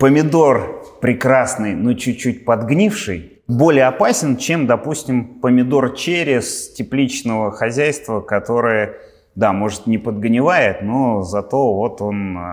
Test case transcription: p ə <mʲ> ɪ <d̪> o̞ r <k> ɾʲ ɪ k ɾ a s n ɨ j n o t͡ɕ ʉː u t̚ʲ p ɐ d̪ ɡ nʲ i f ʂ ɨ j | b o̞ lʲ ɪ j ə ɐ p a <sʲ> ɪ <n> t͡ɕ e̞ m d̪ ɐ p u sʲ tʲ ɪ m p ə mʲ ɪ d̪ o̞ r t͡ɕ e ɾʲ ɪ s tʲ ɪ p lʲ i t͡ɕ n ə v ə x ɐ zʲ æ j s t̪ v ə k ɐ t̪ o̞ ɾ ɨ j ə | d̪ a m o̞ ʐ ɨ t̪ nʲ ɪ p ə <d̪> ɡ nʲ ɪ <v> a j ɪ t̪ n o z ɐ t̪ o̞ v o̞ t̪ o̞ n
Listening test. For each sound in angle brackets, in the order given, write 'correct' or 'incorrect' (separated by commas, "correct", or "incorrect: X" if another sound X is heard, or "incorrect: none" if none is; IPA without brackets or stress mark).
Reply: correct, correct, incorrect: p, correct, correct, correct, correct